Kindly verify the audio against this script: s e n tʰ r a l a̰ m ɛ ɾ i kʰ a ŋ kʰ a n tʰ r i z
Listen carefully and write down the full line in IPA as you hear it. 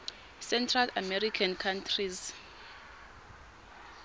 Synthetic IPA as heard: s ɛ n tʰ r a l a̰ m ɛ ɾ i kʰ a n kʰ a n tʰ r i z